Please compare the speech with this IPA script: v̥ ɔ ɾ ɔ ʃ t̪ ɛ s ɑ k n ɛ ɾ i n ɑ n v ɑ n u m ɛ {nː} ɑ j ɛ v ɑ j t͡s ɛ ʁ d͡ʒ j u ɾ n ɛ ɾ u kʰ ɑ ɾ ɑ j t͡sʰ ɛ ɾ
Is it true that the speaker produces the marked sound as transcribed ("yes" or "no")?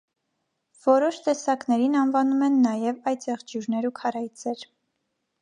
yes